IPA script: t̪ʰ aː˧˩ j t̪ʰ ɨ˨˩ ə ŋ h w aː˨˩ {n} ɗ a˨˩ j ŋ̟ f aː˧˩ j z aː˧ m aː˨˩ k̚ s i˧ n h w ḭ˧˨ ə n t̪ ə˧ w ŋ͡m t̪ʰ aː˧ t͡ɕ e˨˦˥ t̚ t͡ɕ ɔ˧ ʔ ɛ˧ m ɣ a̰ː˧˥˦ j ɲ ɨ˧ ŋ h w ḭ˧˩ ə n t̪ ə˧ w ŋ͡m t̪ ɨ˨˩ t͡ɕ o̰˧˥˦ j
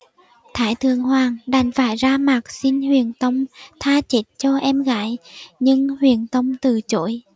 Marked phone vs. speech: incorrect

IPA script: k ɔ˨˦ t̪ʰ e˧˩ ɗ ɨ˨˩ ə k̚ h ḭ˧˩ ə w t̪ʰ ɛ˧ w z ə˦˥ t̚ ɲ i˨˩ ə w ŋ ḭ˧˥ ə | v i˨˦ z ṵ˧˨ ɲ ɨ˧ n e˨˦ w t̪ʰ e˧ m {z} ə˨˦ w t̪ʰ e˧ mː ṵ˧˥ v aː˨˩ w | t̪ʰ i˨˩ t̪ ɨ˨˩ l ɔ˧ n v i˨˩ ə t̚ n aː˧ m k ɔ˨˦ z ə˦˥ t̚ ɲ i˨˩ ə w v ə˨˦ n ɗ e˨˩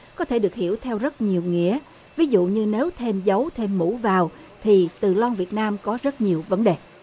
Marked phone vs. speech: correct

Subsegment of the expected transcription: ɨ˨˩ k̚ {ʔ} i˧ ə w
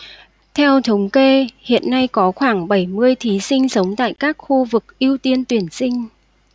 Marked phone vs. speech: correct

